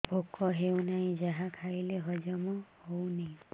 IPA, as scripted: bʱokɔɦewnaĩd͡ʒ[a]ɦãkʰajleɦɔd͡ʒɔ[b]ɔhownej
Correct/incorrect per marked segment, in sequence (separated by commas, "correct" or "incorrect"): correct, incorrect